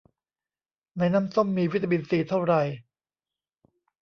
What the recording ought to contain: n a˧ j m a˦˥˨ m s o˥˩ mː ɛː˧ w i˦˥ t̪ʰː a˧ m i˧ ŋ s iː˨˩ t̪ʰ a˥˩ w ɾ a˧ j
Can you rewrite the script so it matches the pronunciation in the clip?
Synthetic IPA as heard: n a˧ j n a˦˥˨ m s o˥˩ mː iː˧ w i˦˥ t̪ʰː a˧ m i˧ n s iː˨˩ t̪ʰ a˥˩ w ɾ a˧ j